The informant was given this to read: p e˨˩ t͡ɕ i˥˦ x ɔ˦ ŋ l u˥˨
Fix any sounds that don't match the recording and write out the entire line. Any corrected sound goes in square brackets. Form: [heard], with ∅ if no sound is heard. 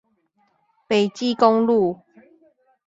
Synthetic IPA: p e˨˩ t͡ɕ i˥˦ [k] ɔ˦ ŋ l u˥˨